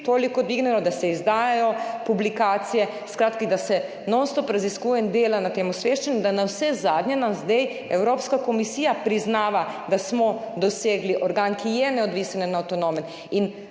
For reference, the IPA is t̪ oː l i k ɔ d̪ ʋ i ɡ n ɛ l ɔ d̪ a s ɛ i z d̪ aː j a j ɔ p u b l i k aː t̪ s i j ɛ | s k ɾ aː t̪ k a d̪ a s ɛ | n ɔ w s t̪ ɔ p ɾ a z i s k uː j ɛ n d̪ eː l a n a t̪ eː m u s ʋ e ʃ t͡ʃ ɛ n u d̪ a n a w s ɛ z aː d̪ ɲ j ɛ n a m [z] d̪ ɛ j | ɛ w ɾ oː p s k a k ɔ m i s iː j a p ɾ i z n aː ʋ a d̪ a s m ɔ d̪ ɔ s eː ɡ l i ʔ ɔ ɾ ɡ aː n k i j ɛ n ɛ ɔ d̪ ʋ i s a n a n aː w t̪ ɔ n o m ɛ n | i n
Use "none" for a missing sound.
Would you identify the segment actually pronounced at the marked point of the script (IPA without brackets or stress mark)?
z